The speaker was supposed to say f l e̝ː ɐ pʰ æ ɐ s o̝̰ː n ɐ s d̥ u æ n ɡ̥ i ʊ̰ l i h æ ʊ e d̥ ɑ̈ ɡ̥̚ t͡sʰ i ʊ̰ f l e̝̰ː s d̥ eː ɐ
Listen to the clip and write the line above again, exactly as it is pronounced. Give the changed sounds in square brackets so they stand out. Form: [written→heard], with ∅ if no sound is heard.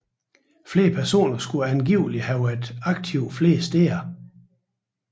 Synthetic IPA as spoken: f l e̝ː ɐ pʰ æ ɐ s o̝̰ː n ɐ s [d̥→ɡ̥] u æ n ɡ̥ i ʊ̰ l i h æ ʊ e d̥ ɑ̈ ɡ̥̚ t͡sʰ i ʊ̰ f l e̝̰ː s d̥ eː ɐ

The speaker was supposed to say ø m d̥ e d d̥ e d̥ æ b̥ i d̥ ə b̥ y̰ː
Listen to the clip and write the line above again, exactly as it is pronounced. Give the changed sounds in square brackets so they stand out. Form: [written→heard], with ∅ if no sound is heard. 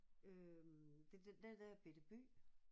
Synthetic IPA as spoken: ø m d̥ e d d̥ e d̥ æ b̥ [i→e] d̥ ə b̥ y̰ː

